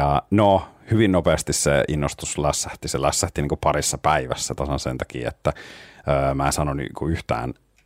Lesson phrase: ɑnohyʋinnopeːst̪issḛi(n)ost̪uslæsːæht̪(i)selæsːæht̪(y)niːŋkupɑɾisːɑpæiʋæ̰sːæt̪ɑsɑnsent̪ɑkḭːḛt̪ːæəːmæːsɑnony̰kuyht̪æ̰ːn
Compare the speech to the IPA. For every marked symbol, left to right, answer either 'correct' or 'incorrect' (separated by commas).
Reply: incorrect, correct, incorrect